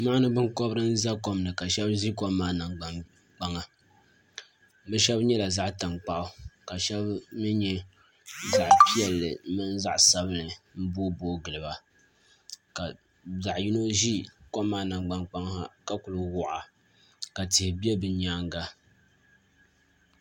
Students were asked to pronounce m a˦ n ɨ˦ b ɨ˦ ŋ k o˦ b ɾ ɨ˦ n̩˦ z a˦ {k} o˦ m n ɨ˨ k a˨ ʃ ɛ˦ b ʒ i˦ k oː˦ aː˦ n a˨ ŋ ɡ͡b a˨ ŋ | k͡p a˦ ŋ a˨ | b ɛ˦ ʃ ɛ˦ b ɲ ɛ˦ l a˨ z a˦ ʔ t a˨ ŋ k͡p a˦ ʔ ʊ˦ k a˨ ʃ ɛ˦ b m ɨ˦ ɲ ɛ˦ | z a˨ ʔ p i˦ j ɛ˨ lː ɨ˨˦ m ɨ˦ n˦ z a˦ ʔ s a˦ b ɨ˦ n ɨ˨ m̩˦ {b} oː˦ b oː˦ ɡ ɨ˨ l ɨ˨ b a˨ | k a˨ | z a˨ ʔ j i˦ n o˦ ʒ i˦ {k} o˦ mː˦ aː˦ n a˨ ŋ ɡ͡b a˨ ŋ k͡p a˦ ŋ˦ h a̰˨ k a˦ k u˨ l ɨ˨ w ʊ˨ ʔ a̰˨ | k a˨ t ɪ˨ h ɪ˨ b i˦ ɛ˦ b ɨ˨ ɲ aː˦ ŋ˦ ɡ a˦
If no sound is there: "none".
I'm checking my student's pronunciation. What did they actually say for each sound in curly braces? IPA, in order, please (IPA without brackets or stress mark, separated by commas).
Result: k, b, k